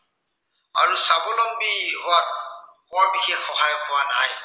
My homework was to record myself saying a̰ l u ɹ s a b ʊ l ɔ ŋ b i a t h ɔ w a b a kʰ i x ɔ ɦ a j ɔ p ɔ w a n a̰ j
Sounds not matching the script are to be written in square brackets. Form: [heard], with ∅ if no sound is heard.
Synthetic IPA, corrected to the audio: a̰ [ɹ] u [∅] s a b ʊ l ɔ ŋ b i a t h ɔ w a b [i] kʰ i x ɔ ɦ a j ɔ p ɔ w a n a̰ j